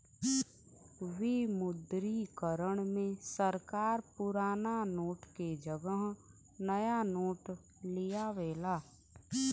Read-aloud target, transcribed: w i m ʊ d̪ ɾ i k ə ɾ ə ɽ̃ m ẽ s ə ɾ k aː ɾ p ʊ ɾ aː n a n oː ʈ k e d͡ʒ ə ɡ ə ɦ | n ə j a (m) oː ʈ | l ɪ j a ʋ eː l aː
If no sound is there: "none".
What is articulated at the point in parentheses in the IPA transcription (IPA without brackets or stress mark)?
n